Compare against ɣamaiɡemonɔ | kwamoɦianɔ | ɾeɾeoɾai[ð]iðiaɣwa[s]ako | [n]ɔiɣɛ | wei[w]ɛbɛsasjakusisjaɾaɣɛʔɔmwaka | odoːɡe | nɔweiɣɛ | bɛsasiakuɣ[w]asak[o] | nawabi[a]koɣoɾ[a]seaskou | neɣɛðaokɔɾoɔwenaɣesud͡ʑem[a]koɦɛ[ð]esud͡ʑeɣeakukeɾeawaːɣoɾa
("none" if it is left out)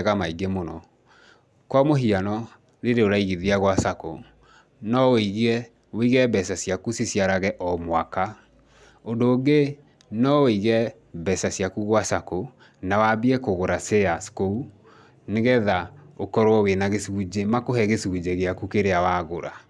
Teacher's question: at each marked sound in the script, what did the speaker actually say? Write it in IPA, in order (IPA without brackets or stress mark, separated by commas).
ɣ, s, n, ɣ, w, o, ɛ, a, a, ɣ